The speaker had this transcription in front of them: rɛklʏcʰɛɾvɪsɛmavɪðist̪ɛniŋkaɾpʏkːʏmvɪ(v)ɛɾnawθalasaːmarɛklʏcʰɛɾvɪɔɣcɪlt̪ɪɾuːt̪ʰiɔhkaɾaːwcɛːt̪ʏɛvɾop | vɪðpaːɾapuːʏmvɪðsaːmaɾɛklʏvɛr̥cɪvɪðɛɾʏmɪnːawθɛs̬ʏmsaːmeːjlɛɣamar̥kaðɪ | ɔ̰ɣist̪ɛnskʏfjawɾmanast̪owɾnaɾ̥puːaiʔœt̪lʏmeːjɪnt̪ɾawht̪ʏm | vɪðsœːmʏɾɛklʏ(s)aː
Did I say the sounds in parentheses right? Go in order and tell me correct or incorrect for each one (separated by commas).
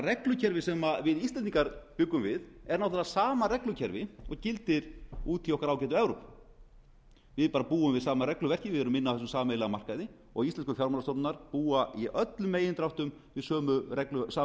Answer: incorrect, correct